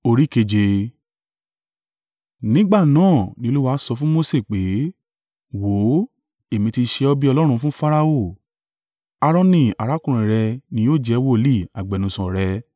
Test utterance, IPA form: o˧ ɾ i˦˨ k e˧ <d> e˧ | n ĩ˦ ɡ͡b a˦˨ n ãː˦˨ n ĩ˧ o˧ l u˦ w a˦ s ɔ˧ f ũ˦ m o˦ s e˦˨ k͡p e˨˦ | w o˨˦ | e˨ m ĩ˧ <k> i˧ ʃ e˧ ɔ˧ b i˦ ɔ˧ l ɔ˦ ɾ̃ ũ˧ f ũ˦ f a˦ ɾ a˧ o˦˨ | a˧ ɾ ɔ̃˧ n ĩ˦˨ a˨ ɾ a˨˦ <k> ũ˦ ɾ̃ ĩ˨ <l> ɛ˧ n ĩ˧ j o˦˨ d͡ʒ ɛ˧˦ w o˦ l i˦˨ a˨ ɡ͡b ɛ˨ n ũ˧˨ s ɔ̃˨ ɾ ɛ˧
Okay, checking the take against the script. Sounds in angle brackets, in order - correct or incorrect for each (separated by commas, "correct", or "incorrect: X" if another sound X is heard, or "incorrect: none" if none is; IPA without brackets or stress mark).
incorrect: d͡ʒ, incorrect: t, correct, incorrect: ɾ